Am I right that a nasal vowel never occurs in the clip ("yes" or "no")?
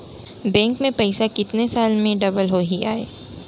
no